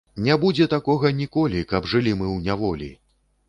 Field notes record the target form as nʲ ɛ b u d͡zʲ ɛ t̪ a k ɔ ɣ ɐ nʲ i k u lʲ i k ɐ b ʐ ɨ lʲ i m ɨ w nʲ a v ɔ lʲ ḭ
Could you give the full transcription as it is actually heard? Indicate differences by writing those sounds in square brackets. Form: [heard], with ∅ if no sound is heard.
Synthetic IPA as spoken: nʲ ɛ b u d͡zʲ ɛ t̪ a k ɔ ɣ ɐ nʲ i k [ɔ] lʲ i k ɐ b ʐ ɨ lʲ i m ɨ w nʲ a v ɔ lʲ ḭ

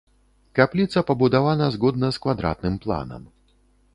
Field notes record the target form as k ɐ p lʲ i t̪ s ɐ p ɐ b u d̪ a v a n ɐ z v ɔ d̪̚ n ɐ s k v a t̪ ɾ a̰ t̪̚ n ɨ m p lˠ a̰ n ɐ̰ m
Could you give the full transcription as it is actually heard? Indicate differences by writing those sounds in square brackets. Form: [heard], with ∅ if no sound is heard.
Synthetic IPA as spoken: k [a] p lʲ i t̪ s ɐ p ɐ b u d̪ a v a n ɐ z [ɣ] ɔ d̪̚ n ɐ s k v a [d̪] ɾ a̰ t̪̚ n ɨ m p lˠ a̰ n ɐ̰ m

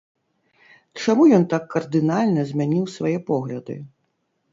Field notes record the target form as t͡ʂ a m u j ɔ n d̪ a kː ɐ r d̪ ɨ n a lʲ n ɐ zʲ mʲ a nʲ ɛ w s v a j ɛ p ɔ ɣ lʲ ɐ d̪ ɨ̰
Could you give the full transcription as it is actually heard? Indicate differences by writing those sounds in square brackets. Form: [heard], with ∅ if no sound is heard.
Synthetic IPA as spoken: t͡ʂ a m u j ɔ n [t̪] a kː ɐ r d̪ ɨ n a lʲ n ɐ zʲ mʲ a nʲ [i] w s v a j ɛ p ɔ ɣ lʲ ɐ d̪ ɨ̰

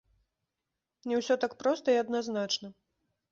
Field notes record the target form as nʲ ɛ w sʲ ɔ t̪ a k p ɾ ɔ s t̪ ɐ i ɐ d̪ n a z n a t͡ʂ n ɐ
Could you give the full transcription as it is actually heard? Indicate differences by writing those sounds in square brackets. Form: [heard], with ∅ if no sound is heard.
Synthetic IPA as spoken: nʲ ɛ w sʲ ɔ t̪ a k p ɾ ɔ s t̪ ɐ i ɐ d̪ n a z n a t͡ʂ n ɐ

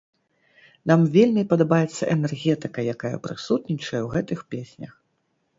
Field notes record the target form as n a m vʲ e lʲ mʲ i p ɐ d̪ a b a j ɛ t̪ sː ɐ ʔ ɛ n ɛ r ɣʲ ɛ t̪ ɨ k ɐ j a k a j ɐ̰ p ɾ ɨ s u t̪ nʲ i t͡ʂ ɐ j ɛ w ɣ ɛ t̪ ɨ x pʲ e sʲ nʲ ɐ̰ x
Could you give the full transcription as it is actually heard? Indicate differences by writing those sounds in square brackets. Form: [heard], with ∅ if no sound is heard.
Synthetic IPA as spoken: n a m vʲ e lʲ mʲ i p ɐ d̪ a b a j ɛ t̪ sː ɐ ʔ ɛ n ɛ r ɣʲ ɛ t̪ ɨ k ɐ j a k a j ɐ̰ p ɾ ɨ s u t̪ nʲ i t͡ʂ ɐ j ɛ w ɣ ɛ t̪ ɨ x pʲ e sʲ nʲ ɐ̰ x

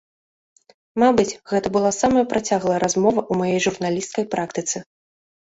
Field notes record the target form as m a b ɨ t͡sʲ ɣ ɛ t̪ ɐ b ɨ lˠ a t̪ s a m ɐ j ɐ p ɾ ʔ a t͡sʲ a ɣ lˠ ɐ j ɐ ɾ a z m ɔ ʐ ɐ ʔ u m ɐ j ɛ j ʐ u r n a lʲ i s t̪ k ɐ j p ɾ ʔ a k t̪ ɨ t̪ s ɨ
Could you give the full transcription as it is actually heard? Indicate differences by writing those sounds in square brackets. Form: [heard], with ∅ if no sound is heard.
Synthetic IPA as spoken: m a b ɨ t͡sʲ ɣ ɛ t̪ ɐ b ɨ lˠ a [∅] s a m ɐ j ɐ p ɾ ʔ a t͡sʲ a ɣ lˠ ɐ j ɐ ɾ a z m ɔ [v] ɐ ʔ u m [a] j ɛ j ʐ u r n a lʲ i s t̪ k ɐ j p ɾ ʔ a k t̪ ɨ t̪ s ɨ

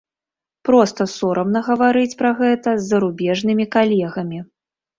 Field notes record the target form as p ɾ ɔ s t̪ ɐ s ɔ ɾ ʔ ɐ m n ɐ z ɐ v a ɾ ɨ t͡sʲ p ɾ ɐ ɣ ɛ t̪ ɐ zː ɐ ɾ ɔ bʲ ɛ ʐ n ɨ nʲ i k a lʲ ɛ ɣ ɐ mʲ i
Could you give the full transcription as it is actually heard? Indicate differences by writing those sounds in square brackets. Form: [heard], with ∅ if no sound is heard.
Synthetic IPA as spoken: p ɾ ɔ s t̪ ɐ s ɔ ɾ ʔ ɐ m n ɐ [ɣ] ɐ v a ɾ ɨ t͡sʲ p ɾ ɐ ɣ ɛ t̪ ɐ zː ɐ ɾ [u] bʲ ɛ ʐ n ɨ [mʲ] i k a lʲ ɛ ɣ ɐ mʲ i

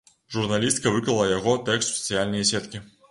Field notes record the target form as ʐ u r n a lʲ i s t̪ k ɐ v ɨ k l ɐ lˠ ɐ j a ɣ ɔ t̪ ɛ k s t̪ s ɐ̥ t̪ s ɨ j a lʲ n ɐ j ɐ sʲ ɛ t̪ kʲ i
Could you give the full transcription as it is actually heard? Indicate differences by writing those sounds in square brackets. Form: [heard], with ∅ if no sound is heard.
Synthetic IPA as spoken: ʐ u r n a lʲ i s t̪ k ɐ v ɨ k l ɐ lˠ ɐ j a ɣ ɔ t̪ ɛ k s t̪ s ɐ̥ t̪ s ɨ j a lʲ n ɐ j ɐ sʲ ɛ t̪ kʲ i

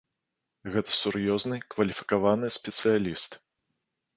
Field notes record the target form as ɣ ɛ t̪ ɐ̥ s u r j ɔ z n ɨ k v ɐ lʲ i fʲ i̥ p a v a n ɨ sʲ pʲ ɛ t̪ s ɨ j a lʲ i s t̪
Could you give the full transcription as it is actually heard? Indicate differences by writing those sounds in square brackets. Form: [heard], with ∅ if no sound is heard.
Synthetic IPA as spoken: ɣ ɛ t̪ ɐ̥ s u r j ɔ z n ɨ k v ɐ lʲ i fʲ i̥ [k] a v a n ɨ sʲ pʲ ɛ t̪ s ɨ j a lʲ i s t̪

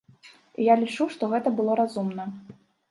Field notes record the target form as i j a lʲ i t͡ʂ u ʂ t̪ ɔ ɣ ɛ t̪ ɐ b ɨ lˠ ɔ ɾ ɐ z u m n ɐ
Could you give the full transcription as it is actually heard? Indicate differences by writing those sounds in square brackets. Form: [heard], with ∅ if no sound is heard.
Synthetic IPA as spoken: i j a lʲ i t͡ʂ u ʂ t̪ ɔ ɣ ɛ t̪ ɐ b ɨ lˠ ɔ ɾ [a] z u m n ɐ

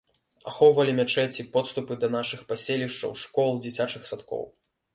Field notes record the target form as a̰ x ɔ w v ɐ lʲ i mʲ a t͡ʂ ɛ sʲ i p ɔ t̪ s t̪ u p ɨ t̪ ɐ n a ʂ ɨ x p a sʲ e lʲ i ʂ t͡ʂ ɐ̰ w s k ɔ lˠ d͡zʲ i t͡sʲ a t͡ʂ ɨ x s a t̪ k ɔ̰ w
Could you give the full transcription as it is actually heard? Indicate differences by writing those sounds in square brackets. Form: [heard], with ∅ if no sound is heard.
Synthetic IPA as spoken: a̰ x ɔ w v ɐ lʲ i mʲ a t͡ʂ ɛ [t͡sʲ] i p ɔ t̪ s t̪ u p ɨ [d̪] ɐ n a ʂ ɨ x p a sʲ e lʲ i ʂ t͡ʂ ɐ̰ w [ʂ] k ɔ lˠ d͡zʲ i t͡sʲ a t͡ʂ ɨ x s a t̪ k ɔ̰ w

